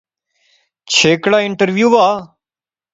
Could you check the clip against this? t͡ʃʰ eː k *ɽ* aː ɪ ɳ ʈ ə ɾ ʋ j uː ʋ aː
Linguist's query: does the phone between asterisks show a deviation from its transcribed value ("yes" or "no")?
no